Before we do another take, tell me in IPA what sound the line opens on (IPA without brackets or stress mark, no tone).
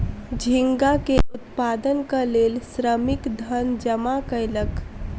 d͡ʒʱ